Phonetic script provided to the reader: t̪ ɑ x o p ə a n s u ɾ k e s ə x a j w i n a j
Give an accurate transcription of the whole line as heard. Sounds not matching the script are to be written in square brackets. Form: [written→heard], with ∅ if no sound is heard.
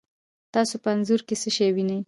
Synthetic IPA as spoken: t̪ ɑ [x→s] o p ə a n [s→z] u ɾ k e s ə [x→ʃ] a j w i n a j